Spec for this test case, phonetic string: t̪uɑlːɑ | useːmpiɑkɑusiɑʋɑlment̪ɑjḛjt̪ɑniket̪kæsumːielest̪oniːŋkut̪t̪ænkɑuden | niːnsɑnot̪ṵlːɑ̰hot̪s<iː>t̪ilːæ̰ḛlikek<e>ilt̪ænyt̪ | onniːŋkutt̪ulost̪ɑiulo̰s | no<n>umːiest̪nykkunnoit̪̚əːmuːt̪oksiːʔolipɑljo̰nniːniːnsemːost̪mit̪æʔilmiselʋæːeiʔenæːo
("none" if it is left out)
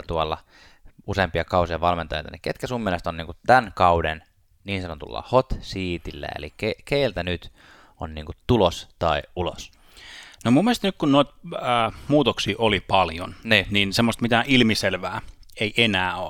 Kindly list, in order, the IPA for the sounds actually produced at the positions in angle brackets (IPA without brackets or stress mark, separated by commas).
iː, e, m